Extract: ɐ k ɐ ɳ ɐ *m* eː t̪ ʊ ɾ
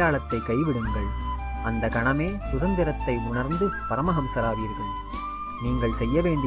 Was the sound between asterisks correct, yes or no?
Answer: yes